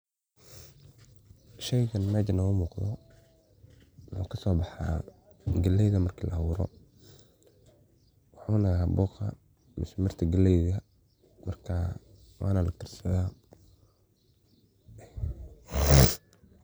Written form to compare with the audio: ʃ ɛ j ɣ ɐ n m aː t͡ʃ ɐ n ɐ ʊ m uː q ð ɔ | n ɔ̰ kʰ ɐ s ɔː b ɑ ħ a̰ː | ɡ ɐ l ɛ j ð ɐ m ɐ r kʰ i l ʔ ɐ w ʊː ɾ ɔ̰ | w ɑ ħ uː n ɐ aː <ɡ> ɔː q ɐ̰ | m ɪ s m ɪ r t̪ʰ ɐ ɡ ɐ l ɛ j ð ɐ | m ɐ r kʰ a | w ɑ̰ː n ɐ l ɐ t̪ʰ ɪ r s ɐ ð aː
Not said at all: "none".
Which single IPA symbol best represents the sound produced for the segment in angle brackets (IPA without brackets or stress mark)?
b